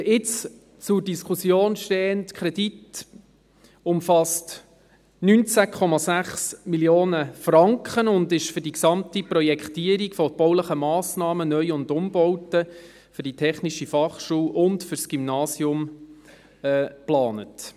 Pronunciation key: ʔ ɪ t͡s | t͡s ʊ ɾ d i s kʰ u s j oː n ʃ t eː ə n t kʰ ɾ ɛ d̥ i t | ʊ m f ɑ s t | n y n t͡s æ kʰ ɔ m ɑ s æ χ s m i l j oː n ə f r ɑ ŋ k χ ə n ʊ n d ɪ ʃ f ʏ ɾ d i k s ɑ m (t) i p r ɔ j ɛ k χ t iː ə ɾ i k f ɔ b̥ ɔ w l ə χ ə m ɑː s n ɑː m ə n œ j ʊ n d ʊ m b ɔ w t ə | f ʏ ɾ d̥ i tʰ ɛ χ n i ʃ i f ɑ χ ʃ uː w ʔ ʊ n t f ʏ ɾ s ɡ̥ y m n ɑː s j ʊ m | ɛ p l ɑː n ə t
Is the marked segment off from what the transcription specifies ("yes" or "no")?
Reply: no